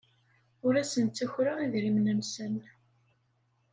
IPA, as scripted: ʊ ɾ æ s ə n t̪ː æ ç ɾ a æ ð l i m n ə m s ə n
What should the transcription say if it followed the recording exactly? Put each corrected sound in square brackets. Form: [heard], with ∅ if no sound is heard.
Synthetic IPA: ʊ ɾ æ s ə n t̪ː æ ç ɾ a [i] ð [ɾ] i m n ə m s ə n